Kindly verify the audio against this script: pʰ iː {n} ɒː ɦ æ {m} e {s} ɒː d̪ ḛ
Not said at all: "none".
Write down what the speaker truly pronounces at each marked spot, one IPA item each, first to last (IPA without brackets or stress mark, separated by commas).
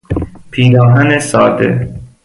n, n, s